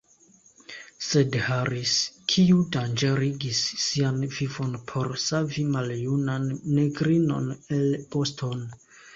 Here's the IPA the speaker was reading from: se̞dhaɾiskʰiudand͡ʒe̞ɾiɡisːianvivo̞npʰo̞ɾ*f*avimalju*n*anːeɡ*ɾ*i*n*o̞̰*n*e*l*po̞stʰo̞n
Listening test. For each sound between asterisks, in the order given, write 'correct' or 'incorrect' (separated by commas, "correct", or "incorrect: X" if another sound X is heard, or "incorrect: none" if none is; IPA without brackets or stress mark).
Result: incorrect: s, correct, correct, correct, correct, correct